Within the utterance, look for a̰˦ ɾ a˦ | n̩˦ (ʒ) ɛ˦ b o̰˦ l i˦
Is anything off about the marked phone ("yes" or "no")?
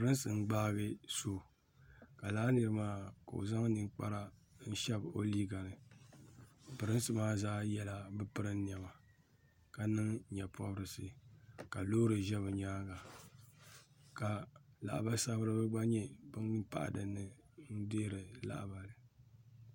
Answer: yes